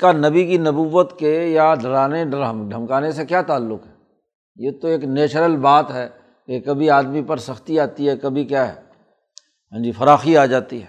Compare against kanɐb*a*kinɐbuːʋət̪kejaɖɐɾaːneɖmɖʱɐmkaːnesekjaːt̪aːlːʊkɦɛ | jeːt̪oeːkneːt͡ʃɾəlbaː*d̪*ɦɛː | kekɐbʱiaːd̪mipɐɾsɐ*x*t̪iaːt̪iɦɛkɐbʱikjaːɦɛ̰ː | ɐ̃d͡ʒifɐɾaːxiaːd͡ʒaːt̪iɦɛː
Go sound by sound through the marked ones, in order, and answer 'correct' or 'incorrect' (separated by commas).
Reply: incorrect, incorrect, correct